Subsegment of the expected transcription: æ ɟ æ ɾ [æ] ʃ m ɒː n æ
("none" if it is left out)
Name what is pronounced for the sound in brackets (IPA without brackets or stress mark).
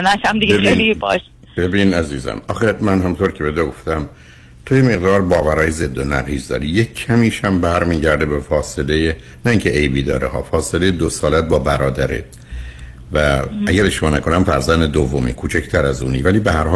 e